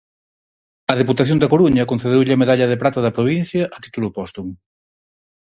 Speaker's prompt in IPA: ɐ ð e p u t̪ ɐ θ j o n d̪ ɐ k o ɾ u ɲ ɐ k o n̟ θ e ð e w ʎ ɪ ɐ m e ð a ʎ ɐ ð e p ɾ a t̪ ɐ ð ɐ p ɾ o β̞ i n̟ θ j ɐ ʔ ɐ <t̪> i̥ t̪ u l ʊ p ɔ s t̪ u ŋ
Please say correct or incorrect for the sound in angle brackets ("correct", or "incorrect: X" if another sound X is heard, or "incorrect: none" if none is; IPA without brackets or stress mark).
correct